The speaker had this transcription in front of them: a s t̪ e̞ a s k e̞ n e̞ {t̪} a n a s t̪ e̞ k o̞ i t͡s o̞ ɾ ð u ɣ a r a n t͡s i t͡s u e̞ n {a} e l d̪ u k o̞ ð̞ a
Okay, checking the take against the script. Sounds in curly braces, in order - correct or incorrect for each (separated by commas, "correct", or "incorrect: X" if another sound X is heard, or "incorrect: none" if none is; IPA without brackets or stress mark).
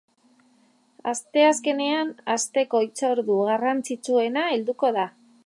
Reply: incorrect: none, correct